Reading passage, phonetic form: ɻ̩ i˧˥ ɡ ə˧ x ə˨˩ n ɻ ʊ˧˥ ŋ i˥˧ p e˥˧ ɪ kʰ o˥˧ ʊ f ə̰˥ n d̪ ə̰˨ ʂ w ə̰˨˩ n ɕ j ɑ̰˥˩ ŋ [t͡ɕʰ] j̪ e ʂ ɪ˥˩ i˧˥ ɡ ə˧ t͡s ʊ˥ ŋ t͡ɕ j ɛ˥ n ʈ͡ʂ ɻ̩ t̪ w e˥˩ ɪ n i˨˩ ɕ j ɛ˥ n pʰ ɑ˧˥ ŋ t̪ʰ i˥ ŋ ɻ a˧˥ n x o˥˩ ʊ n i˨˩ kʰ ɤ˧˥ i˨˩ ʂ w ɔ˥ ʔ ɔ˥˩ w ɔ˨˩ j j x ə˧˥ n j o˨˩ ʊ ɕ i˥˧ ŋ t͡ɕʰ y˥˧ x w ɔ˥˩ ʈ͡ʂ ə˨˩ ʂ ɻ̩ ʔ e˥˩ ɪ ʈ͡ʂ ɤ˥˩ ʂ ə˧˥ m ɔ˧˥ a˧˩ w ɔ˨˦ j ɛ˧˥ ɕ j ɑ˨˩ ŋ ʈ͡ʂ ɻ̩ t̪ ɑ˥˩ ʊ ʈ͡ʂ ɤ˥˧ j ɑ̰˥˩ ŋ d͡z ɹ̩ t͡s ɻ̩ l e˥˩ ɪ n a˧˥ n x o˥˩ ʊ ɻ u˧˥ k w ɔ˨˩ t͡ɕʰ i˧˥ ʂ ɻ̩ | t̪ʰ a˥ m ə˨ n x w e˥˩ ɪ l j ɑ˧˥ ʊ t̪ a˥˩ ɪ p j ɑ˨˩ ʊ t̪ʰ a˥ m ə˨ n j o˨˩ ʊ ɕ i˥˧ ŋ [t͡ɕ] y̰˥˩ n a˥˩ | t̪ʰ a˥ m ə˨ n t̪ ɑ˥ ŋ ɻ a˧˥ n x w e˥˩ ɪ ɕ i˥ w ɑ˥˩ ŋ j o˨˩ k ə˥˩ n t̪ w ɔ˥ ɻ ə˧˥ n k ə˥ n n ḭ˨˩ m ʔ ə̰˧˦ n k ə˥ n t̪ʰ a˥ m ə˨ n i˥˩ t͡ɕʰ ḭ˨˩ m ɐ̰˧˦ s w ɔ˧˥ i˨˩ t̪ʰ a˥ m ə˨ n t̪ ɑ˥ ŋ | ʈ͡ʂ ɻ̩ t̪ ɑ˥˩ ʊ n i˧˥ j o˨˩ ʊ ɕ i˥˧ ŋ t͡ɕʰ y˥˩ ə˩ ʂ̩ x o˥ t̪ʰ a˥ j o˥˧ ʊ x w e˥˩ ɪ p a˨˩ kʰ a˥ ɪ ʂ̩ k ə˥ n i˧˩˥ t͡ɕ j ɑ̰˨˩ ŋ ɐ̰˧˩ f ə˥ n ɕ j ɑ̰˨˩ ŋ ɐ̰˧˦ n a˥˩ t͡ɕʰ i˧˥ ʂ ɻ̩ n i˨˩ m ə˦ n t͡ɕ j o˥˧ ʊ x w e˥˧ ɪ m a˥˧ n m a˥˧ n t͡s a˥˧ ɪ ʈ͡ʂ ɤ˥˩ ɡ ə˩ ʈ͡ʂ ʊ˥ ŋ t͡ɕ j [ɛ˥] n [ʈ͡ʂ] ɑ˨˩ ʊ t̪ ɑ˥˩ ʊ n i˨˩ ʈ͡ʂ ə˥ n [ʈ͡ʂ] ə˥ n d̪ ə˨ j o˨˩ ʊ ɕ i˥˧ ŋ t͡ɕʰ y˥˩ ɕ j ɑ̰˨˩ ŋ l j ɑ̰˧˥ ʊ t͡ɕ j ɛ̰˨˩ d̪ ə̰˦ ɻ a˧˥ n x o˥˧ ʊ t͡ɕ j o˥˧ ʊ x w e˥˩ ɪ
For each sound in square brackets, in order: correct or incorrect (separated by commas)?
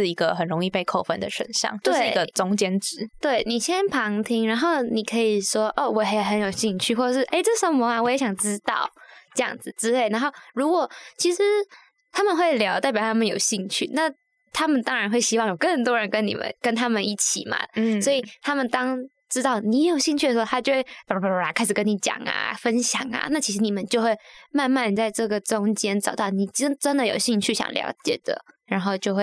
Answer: incorrect, incorrect, correct, correct, correct